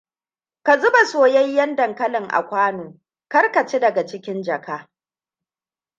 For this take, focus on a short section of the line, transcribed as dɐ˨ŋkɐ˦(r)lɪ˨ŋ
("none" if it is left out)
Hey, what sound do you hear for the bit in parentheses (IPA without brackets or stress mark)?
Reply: none